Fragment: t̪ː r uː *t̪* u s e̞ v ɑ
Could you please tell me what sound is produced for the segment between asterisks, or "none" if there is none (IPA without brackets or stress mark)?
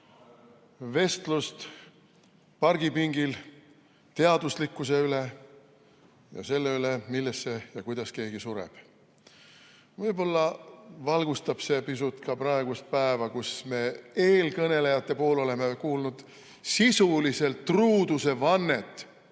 d̪